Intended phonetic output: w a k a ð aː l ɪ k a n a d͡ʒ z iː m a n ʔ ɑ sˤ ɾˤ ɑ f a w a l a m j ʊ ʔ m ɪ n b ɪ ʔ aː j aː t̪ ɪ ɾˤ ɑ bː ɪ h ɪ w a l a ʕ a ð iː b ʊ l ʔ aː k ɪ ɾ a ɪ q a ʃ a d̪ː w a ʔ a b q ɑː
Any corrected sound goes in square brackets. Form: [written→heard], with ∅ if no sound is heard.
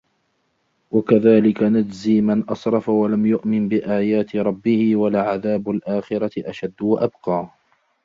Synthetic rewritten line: w a k a ð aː l ɪ k a n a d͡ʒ z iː m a n ʔ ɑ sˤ ɾˤ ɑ f a w a l a m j ʊ ʔ m ɪ n b ɪ ʔ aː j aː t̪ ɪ ɾˤ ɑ bː ɪ h ɪ w a l a ʕ a ð [iː→aː] b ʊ l ʔ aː [k→x] ɪ ɾ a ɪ [q→ʔ] a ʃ a d̪ː w a ʔ a b q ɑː